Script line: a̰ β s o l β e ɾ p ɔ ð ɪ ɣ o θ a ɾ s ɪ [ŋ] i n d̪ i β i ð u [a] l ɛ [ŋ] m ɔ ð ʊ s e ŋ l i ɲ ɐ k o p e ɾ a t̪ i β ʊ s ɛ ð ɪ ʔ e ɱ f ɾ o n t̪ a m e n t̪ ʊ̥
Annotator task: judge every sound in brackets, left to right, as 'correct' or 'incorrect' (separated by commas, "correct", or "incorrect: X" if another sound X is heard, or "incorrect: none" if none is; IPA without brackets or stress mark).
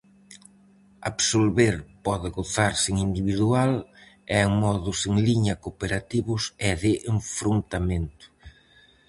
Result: correct, correct, correct